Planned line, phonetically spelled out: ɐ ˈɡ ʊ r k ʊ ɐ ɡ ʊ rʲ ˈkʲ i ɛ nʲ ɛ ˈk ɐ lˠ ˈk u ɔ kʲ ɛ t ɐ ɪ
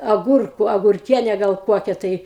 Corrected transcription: ɐ ˈɡ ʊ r k ʊ ɐ ɡ ʊ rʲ ˈkʲ i ɛ nʲ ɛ ˈɡ ɐ lˠ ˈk u ɔ kʲ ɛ t ɐ ɪ